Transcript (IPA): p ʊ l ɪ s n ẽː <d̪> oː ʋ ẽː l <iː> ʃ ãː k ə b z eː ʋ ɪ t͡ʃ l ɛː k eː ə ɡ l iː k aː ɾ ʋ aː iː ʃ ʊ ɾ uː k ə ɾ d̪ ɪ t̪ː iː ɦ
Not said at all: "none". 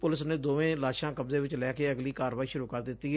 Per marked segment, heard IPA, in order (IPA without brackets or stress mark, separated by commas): d̪, aː